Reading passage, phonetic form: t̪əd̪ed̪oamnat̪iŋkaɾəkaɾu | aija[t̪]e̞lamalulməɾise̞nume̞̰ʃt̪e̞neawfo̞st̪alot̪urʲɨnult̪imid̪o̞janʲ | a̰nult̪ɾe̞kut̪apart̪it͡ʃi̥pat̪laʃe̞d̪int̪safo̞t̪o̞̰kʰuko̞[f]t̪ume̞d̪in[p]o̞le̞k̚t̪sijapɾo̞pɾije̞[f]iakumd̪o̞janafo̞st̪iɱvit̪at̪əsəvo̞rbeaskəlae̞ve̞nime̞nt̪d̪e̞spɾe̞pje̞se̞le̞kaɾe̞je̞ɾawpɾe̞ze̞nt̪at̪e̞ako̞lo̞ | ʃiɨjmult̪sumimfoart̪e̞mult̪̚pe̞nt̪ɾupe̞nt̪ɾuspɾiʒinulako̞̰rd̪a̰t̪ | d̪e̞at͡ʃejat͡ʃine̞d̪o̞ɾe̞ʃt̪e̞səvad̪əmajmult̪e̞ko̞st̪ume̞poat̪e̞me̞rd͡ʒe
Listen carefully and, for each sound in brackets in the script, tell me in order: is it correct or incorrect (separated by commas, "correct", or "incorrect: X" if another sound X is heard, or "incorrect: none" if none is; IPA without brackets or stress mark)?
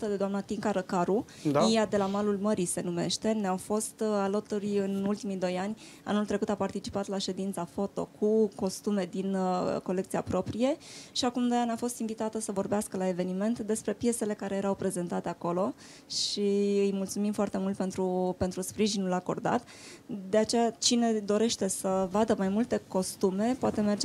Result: incorrect: d̪, incorrect: s, incorrect: k, incorrect: ʃ